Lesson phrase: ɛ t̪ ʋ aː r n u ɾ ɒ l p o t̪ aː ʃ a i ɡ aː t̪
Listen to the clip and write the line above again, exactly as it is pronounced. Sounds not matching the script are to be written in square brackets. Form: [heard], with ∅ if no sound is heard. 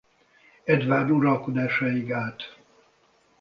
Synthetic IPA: ɛ [d̪] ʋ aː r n u ɾ ɒ l [k] o [d̪] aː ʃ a i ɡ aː t̪